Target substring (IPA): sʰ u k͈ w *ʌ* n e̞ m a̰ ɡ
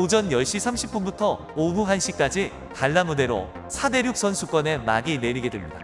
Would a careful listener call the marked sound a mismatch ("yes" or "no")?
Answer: no